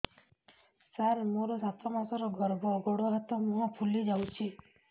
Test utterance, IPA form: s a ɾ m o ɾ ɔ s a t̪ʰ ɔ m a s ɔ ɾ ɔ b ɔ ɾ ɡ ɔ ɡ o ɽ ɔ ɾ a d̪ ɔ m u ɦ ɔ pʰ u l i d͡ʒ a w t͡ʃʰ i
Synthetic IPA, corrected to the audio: s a ɾ m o ɾ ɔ s a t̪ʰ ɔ m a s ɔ ɾ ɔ ɡ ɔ ɾ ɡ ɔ ɡ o ɽ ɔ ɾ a t̪ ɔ m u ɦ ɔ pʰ u l i d͡ʒ a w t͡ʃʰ i